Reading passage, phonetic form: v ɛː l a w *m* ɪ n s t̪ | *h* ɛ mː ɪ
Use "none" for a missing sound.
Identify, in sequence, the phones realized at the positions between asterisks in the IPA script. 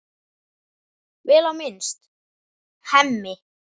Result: m, h

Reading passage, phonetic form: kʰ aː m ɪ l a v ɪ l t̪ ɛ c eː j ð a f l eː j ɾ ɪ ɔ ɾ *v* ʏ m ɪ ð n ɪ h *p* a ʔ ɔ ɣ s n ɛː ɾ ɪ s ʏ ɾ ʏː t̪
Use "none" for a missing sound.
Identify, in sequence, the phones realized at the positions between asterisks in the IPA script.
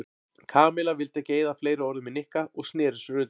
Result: ð, k

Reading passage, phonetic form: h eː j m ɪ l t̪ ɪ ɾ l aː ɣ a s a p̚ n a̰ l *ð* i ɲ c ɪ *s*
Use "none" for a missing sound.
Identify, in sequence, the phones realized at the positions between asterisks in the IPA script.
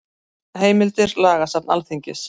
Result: θ, s

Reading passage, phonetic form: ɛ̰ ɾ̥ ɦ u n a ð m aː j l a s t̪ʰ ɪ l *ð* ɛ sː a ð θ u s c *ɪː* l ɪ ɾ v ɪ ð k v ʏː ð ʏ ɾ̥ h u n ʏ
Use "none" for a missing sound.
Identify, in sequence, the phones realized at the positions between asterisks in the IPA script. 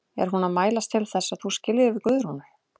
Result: θ, ɪ

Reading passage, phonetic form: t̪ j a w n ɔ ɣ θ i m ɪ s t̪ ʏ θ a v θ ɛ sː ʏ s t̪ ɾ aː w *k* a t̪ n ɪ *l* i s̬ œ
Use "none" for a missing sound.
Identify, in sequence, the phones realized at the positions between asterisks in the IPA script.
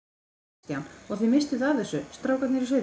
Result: k, ɾ

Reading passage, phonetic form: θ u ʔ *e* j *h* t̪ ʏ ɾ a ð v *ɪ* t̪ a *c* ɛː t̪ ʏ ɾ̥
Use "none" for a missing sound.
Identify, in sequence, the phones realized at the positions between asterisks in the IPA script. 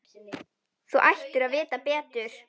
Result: a, h, ɪː, p

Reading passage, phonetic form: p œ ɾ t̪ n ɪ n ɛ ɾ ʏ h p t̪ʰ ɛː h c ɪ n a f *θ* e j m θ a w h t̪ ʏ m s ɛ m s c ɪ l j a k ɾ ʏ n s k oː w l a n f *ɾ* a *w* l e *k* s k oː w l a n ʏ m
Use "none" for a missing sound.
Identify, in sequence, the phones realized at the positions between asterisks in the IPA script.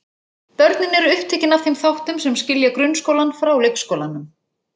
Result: θ, ɾ, w, k

